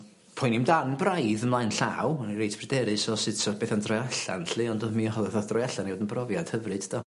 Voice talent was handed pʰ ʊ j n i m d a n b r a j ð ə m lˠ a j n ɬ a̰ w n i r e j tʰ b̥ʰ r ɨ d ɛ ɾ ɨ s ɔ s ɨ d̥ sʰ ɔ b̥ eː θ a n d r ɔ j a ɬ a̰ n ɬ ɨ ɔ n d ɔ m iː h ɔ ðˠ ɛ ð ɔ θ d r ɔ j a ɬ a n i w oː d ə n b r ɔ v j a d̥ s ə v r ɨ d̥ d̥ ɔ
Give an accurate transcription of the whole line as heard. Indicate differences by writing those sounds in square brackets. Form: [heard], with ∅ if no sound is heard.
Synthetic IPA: pʰ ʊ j n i m d a n b r a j ð ə m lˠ a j n ɬ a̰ w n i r e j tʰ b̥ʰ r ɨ d ɛ ɾ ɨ s ɔ s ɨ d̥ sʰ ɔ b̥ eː θ a n d r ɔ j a ɬ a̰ n ɬ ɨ ɔ n d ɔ m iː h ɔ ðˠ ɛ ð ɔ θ d r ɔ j a ɬ a n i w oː d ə n b r ɔ v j a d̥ [h] ə v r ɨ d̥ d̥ ɔ